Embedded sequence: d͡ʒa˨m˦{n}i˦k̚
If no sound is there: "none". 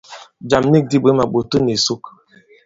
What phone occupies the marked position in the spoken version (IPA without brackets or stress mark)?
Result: n